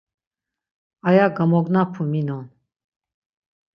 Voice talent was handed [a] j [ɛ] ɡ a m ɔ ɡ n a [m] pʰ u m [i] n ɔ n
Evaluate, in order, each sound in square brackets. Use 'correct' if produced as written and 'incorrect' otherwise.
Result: correct, incorrect: a, incorrect: none, correct

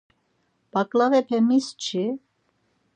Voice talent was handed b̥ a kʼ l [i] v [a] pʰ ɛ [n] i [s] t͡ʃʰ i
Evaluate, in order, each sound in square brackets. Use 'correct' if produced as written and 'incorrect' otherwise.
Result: incorrect: a, incorrect: ɛ, incorrect: m, correct

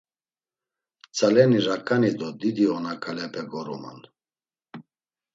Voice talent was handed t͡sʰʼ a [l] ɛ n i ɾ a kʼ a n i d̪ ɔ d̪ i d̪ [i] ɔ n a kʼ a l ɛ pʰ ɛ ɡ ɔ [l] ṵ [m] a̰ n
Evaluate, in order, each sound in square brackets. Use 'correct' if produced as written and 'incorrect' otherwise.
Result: correct, correct, incorrect: ɾ, correct

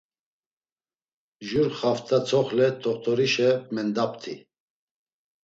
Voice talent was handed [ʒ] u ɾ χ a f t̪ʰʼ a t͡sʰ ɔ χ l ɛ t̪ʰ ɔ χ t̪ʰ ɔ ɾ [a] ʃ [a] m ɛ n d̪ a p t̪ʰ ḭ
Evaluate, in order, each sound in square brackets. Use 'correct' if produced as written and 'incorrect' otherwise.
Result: correct, incorrect: i, incorrect: ɛ

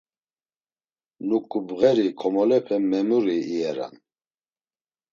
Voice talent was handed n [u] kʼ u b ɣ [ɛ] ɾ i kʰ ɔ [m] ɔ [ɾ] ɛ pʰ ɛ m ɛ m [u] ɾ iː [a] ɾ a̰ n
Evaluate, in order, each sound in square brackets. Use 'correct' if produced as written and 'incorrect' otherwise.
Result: correct, correct, correct, incorrect: l, correct, incorrect: ɛ

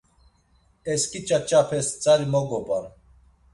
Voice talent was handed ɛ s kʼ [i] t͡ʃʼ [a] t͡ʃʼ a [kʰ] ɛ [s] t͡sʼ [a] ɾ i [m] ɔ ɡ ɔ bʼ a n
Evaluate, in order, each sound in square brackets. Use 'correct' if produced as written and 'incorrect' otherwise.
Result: correct, correct, incorrect: pʰ, correct, correct, correct

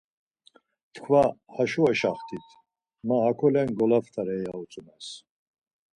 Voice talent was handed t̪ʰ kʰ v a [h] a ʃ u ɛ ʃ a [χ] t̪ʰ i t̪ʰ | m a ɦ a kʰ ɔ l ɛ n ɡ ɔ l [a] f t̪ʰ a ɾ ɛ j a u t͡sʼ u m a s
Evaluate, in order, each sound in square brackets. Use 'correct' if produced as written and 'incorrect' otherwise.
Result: correct, correct, correct

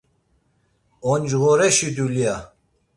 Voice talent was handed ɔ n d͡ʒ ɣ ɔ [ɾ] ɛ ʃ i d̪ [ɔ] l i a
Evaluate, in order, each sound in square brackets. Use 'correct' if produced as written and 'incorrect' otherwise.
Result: correct, incorrect: u

